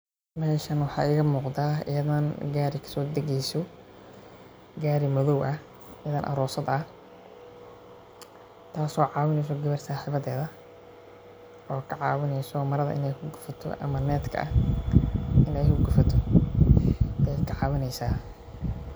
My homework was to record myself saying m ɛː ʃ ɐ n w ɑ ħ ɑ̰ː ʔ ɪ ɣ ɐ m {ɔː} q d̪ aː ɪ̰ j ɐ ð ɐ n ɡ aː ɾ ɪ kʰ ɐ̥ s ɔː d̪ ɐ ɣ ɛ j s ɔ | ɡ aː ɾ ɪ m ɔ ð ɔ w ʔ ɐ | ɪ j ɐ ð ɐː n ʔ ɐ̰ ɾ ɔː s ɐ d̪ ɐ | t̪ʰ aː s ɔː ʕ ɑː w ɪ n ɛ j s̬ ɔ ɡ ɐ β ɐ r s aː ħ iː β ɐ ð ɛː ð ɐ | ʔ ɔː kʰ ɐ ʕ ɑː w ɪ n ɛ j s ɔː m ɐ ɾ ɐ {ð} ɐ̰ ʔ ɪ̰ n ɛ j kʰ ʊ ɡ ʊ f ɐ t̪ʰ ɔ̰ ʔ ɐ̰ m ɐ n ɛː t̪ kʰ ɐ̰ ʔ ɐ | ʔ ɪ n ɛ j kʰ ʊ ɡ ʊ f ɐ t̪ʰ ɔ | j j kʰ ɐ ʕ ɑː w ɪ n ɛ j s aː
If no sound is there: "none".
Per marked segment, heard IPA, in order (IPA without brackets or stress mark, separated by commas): uː, ð